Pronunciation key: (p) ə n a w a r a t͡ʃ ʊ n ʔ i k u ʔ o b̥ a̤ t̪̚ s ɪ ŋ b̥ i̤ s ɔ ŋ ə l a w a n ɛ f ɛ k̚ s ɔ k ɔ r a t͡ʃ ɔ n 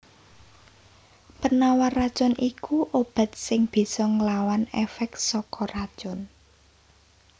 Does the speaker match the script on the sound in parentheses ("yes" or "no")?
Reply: yes